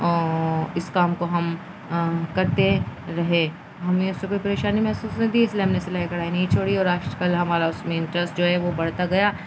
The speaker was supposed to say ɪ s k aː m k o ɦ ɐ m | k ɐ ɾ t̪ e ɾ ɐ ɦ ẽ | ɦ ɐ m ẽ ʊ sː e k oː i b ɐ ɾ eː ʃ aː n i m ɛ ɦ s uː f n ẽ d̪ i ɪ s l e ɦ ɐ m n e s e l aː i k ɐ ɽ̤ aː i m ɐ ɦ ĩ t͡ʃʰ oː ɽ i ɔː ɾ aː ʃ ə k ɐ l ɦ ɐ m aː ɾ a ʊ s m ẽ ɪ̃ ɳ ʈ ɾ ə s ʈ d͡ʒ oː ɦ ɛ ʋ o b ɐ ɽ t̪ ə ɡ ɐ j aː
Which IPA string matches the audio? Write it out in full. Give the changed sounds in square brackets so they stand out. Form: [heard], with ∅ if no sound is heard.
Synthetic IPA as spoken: ɪ s k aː m k o ɦ ɐ m | k ɐ ɾ t̪ e ɾ ɐ ɦ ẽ | ɦ ɐ m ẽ ʊ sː e k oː i [p] ɐ ɾ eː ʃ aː n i m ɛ ɦ s uː [s] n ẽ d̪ i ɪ s l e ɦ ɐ m n e s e l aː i k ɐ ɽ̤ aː i [n] ɐ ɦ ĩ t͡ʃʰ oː ɽ i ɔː ɾ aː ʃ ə k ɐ l ɦ ɐ m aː ɾ a ʊ s m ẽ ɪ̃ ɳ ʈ ɾ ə s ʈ d͡ʒ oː ɦ ɛ ʋ o b ɐ ɽ t̪ [a] ɡ ɐ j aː